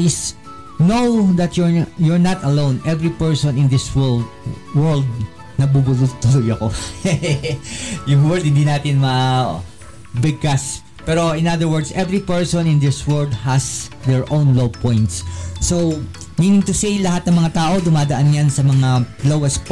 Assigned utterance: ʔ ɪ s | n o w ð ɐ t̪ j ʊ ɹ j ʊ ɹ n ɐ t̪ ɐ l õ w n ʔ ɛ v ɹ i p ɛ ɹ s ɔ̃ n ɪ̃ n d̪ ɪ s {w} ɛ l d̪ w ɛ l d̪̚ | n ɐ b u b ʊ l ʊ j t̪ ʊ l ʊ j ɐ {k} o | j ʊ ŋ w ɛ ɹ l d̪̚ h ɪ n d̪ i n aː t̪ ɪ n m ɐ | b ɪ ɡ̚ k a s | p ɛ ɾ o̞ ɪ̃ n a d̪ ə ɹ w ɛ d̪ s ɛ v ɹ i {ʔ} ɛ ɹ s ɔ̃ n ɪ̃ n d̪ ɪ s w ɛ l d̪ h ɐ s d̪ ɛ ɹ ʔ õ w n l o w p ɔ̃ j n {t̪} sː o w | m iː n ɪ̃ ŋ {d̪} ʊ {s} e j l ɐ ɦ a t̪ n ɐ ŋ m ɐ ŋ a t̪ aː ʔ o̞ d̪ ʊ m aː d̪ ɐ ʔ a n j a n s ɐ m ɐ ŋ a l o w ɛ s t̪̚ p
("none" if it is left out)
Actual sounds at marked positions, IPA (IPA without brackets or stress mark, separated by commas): w, k, p, t̪, t̪, s